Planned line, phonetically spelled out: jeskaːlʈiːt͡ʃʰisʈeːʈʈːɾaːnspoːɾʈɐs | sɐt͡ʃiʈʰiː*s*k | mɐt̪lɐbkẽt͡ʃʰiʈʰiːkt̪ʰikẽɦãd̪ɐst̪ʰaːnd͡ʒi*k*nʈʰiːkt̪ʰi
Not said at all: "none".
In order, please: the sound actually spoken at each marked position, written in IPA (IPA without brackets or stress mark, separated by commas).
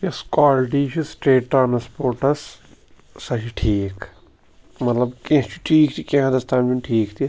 none, none